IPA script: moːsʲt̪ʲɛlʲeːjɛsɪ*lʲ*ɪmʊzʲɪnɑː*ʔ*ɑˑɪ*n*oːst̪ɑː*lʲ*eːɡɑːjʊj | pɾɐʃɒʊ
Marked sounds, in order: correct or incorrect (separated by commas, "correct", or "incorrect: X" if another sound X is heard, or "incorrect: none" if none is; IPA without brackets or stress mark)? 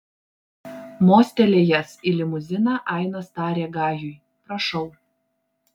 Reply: correct, correct, correct, incorrect: ɾʲ